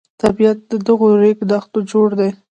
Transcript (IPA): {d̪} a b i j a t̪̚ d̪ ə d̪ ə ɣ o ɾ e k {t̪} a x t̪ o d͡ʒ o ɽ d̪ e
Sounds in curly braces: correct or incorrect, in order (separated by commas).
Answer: incorrect, incorrect